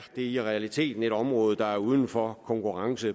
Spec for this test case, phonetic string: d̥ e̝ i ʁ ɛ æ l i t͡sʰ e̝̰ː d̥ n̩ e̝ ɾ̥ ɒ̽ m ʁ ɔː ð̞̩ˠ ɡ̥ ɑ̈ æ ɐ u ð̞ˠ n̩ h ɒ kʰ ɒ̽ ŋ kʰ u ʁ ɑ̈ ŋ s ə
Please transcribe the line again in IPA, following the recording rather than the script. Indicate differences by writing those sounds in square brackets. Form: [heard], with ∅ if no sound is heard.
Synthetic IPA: d̥ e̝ i ʁ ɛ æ l i t͡sʰ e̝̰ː d̥ n̩ e̝ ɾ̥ ɒ̽ m ʁ ɔː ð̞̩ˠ [d̥] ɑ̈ æ ɐ u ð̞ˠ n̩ [f] ɒ kʰ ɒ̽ ŋ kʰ u ʁ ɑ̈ ŋ s ə